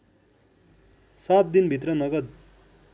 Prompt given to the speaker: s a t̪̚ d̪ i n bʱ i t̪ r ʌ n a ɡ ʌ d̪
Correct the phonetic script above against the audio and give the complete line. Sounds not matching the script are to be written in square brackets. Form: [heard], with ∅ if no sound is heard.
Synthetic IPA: s a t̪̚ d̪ i n bʱ i t̪ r ʌ n [ʌ] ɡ ʌ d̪